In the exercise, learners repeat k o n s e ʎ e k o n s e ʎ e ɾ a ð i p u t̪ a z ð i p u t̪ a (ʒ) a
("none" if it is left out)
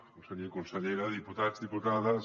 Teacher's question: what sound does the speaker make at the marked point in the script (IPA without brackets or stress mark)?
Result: ð